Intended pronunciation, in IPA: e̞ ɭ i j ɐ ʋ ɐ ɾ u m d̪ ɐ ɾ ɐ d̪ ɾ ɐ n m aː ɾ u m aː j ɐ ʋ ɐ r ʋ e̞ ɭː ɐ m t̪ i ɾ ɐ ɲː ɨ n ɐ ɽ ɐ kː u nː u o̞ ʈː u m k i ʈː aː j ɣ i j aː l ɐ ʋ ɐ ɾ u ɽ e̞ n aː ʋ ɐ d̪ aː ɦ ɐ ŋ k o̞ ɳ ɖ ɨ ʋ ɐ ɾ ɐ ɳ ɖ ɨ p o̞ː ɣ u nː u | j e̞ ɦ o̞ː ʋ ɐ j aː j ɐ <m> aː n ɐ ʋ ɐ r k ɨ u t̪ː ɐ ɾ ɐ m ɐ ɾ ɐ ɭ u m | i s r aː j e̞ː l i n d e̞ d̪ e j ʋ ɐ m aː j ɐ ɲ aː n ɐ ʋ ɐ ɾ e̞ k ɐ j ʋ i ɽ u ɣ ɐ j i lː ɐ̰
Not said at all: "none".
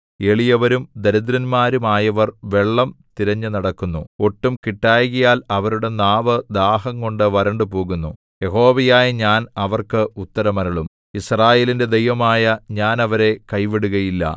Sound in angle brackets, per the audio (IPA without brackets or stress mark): ɲ